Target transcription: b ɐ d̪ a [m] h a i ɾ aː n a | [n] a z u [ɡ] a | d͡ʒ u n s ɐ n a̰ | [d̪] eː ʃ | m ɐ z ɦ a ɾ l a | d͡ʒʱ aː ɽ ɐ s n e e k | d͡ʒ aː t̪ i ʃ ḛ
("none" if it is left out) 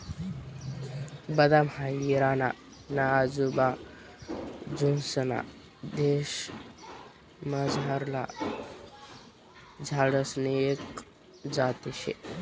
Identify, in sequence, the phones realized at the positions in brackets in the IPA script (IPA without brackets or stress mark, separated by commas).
m, n, b, d̪